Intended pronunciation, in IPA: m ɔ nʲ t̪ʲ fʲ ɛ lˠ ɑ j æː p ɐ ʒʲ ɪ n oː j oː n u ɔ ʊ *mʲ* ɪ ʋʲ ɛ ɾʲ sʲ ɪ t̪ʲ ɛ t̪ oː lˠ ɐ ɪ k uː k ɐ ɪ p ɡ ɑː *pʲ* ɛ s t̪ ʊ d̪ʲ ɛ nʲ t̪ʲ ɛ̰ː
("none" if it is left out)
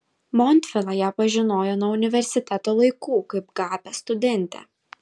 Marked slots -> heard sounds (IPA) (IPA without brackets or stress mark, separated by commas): nʲ, pʲ